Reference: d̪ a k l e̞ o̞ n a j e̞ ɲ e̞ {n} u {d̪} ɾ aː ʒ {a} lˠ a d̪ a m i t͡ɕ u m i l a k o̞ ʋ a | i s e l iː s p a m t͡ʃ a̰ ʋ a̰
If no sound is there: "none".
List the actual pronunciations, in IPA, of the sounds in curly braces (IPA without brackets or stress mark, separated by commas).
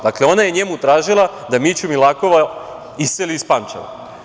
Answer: m, t̪, i